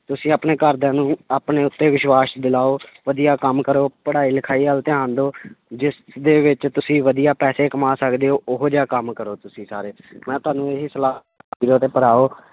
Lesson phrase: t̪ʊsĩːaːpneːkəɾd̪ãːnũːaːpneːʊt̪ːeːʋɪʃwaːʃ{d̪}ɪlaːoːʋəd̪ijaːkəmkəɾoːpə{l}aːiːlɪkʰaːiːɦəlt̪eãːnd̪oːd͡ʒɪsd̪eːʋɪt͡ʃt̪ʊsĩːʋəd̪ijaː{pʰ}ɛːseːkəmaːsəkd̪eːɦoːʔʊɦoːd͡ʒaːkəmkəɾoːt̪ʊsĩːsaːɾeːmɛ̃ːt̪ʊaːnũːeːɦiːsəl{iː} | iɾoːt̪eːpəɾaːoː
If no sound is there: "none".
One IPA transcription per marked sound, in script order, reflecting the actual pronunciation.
d̪, ɽ, p, aː

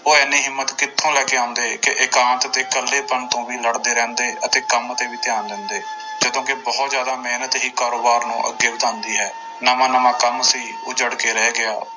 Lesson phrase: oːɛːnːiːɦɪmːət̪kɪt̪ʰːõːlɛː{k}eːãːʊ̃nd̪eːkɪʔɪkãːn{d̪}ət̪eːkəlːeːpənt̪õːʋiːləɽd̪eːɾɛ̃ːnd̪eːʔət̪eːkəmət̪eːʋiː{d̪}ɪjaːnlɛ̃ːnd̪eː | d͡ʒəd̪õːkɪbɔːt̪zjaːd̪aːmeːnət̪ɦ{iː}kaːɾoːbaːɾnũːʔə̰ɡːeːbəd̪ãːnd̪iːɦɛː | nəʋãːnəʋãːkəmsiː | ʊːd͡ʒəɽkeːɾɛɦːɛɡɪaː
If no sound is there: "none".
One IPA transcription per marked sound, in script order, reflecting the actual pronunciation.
k, t̪, t̪, iː

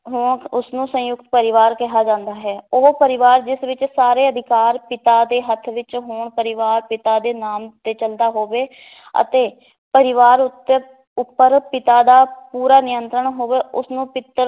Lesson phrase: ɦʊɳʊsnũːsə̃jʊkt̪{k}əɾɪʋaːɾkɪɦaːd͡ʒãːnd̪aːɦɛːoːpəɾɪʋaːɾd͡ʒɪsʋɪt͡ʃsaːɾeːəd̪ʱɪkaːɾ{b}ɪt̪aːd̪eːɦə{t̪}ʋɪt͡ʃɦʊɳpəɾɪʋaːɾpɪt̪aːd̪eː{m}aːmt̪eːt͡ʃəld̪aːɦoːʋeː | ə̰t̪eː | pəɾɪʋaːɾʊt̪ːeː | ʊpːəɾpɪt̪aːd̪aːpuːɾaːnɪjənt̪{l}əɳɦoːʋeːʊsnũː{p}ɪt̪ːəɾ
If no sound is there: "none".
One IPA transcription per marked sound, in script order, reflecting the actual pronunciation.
p, p, t̪ʰ, n, ɾ, p

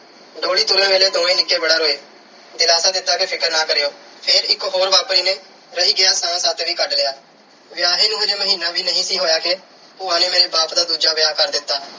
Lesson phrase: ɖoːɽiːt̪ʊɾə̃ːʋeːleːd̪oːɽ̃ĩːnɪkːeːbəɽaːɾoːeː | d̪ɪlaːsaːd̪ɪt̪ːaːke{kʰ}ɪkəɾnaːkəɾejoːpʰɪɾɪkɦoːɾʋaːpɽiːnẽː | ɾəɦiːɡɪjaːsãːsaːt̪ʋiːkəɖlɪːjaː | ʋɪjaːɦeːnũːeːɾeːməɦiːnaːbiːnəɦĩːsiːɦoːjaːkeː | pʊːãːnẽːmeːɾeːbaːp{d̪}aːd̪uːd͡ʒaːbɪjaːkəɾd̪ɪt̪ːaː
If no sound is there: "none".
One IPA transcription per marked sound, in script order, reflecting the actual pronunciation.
pʰ, d̪

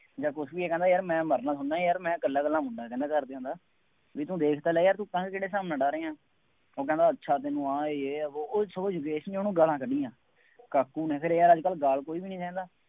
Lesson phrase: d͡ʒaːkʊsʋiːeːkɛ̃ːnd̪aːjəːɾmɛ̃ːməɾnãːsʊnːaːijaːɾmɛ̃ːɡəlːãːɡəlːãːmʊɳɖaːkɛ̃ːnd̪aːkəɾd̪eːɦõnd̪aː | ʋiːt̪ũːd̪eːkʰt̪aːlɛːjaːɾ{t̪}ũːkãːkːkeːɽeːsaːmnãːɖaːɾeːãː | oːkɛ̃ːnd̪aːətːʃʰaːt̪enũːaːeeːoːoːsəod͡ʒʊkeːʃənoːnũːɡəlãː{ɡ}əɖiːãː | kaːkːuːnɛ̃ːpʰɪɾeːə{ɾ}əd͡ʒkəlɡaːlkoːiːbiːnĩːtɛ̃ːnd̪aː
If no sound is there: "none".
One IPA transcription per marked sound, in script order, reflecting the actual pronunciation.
t̪, k, ɾ

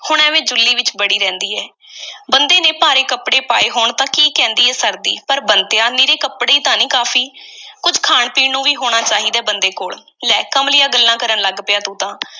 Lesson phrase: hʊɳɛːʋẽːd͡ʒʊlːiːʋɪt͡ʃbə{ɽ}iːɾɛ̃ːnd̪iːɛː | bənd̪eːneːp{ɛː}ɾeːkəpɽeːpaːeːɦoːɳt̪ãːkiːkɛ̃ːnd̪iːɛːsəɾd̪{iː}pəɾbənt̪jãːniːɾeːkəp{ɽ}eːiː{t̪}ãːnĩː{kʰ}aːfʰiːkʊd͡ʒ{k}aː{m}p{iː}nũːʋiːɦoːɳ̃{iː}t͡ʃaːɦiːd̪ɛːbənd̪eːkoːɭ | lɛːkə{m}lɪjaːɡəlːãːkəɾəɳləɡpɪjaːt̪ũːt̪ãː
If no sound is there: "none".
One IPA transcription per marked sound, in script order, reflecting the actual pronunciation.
ɽ, aː, iː, ɽ, t̪, k, kʰ, ɳ, iː, aː, m

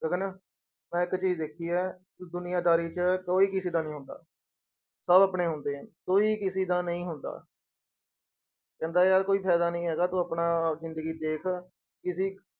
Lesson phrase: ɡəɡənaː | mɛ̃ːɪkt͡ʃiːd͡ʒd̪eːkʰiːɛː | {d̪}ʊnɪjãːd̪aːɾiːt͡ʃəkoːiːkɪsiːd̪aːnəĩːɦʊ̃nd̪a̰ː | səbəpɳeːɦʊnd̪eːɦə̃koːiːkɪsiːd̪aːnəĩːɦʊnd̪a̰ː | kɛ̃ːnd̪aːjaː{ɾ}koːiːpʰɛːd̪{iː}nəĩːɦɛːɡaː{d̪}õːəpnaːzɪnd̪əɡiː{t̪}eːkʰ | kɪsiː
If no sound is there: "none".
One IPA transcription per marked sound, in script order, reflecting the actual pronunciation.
d̪, ɾ, aː, t̪, d̪

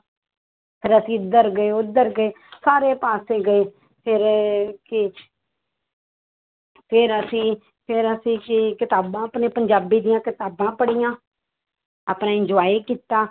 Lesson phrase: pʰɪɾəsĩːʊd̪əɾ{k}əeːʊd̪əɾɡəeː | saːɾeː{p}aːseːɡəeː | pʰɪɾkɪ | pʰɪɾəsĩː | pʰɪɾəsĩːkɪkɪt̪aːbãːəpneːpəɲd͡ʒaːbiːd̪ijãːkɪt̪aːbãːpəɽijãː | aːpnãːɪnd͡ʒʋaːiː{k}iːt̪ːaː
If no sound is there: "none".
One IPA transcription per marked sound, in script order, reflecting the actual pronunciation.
ɡ, p, k

